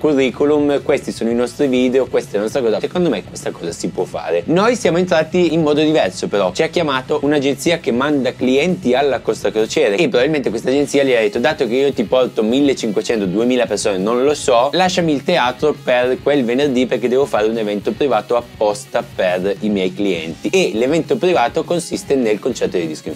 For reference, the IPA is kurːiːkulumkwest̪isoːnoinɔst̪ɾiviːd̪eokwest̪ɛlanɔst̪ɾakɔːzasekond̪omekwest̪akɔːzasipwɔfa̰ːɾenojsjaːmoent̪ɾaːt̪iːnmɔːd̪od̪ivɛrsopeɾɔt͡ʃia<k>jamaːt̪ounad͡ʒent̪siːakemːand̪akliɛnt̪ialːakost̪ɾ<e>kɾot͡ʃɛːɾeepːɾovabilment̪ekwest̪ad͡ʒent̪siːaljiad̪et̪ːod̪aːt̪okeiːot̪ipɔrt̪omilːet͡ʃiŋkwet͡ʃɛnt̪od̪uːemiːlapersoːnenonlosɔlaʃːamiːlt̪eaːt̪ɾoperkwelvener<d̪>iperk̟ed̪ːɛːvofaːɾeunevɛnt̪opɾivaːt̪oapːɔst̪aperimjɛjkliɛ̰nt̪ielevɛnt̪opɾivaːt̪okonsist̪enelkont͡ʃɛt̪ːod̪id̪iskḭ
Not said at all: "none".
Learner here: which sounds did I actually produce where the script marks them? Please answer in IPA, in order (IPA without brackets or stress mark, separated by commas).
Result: k, a, d̪